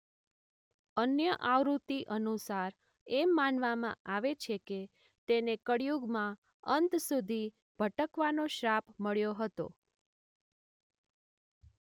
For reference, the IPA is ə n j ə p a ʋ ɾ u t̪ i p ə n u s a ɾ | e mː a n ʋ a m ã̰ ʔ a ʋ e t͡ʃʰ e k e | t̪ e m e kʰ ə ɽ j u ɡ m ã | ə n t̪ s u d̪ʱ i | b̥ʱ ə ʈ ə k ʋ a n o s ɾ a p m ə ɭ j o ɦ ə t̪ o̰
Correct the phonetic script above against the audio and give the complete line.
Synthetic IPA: ə n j ə ʔ a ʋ ɾ u t̪ i ʔ ə n u s a ɾ | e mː a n ʋ a m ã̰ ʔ a ʋ e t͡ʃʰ e k e | t̪ e n e k ə ɽ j u ɡ m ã | ə n t̪ s u d̪ʱ i | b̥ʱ ə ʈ ə k ʋ a n o ʃ ɾ a p m ə ɭ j o ɦ ə t̪ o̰